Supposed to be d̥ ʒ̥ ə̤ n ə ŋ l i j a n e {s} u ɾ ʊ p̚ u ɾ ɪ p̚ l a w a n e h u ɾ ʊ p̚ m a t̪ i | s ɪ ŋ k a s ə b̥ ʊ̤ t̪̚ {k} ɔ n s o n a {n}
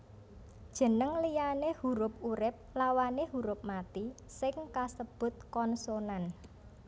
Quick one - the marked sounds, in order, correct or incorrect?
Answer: incorrect: h, correct, correct

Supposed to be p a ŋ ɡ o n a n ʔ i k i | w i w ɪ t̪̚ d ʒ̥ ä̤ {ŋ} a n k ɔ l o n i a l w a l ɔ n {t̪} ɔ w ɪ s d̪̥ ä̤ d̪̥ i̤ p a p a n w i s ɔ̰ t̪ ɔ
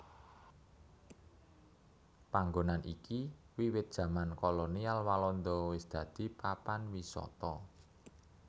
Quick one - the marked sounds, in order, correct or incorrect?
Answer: incorrect: m, incorrect: d̪

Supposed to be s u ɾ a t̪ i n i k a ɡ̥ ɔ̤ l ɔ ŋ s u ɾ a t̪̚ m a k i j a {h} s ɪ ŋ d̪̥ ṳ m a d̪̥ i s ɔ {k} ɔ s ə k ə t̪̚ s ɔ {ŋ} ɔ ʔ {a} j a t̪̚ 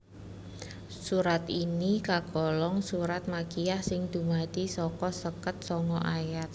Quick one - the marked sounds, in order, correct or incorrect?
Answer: correct, correct, correct, correct

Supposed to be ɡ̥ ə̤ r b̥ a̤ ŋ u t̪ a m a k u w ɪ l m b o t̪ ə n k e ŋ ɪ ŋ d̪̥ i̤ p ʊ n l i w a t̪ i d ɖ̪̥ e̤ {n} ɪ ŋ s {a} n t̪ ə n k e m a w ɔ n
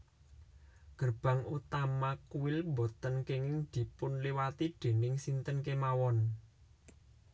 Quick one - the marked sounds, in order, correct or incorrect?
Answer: correct, incorrect: i

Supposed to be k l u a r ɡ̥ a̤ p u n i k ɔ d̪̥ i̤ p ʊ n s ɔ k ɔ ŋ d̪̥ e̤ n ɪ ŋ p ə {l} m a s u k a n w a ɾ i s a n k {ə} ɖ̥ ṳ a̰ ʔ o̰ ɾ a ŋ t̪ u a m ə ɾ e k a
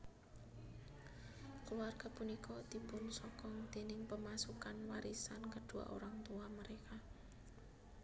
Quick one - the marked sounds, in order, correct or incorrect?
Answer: incorrect: none, correct

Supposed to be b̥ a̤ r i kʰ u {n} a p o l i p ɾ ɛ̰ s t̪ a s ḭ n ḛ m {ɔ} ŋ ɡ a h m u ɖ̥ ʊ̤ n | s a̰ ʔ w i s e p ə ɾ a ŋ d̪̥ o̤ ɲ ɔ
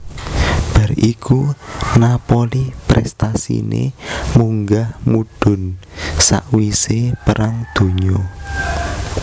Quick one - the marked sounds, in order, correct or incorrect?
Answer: correct, incorrect: u

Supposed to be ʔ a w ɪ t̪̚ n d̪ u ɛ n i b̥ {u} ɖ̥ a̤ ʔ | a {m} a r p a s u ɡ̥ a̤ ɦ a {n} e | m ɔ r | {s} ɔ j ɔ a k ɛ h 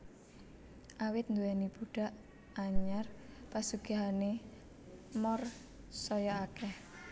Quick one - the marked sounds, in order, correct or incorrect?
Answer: correct, incorrect: ɲ, correct, correct

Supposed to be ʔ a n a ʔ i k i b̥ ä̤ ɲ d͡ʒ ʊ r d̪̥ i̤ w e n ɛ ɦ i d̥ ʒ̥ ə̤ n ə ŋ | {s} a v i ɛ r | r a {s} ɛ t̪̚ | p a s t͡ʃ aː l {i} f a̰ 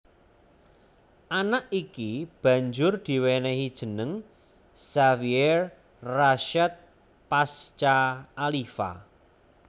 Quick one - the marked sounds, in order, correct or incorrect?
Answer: correct, incorrect: ʃ, correct

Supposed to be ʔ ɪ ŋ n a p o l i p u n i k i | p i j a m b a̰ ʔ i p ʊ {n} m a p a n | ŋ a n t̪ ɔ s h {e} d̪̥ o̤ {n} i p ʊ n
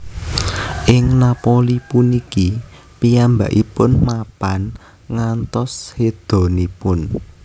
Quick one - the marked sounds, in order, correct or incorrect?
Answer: correct, correct, correct

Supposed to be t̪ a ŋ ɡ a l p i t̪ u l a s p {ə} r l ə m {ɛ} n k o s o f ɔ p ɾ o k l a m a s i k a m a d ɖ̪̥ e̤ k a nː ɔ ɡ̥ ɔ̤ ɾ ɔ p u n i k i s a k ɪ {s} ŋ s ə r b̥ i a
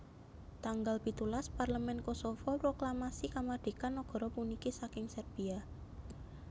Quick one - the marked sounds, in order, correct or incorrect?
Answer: incorrect: a, correct, incorrect: none

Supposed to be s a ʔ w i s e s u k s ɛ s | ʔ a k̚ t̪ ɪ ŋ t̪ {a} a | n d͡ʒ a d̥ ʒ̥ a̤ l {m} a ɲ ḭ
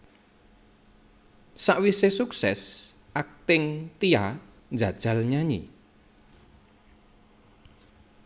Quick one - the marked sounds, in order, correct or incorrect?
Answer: incorrect: i, incorrect: ɲ

